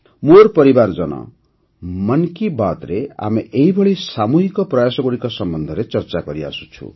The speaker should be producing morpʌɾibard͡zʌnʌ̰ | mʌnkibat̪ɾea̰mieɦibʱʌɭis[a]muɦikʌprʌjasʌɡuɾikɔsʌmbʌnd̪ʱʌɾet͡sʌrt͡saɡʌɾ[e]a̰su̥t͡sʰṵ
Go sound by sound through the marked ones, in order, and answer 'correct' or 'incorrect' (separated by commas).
correct, incorrect